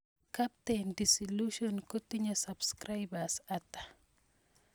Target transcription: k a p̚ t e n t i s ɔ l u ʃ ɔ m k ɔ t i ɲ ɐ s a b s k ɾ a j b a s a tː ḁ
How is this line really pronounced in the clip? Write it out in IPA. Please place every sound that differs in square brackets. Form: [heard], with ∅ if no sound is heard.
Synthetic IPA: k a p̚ t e n [d] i s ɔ l u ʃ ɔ [n] k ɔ t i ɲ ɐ s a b s k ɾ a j b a s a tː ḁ